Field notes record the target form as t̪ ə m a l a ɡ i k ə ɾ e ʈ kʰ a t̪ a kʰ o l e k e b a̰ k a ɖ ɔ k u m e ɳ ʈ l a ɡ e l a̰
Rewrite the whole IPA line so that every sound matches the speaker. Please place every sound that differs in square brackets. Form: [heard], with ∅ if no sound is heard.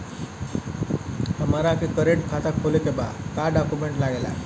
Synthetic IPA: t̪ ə m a [ɾ] a [k] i k ə ɾ e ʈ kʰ a t̪ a kʰ o l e k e b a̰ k a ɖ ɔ k u m e ɳ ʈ l a ɡ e l a̰